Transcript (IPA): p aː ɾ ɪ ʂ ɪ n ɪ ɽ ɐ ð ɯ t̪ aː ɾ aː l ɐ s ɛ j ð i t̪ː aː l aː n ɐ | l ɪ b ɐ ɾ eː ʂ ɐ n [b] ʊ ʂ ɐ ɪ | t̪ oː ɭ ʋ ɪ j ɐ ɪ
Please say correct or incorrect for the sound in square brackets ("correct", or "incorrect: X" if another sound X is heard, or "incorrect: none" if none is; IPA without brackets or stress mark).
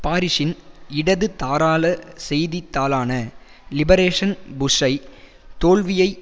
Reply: correct